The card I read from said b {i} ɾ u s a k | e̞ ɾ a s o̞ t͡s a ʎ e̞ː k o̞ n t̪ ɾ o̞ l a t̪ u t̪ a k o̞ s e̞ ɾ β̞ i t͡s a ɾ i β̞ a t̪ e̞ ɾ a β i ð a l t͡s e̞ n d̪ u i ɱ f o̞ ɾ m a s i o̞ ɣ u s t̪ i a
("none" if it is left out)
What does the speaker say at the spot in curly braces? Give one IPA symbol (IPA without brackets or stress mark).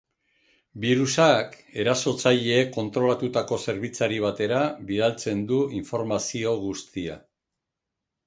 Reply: i